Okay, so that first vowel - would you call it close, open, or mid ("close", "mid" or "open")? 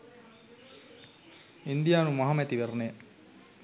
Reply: close